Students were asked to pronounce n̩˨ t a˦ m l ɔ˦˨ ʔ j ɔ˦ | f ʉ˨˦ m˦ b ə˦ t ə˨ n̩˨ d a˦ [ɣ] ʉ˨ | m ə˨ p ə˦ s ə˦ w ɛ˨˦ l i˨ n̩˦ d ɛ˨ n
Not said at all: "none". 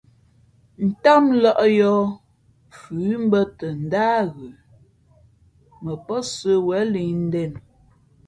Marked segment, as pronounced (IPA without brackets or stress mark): ɣ